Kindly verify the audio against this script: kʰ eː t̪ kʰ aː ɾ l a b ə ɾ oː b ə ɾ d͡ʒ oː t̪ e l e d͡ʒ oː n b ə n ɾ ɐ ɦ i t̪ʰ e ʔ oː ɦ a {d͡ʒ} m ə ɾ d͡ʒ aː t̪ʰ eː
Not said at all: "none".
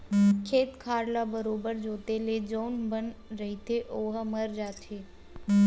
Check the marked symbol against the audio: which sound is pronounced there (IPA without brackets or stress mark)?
none